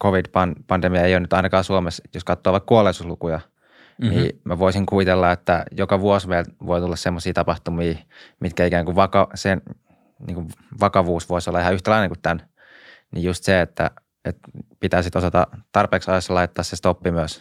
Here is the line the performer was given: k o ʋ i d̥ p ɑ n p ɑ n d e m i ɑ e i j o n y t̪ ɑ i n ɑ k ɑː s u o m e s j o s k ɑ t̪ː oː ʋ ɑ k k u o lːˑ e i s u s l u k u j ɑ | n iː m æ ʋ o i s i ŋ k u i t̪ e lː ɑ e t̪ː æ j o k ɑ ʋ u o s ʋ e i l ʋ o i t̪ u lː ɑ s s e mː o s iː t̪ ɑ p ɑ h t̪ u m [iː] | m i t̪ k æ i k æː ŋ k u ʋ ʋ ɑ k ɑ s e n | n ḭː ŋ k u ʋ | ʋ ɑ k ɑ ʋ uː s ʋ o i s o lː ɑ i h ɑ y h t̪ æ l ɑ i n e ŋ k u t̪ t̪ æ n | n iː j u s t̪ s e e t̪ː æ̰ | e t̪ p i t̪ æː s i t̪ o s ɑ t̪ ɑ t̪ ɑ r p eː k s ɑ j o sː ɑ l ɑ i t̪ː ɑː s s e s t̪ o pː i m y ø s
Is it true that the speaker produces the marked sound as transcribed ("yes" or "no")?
yes